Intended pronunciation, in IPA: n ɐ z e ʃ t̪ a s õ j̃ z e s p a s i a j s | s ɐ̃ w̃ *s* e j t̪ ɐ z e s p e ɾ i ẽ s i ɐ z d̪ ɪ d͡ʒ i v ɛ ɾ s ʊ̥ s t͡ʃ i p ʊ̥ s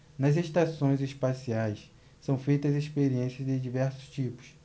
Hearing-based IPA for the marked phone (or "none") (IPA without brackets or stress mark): f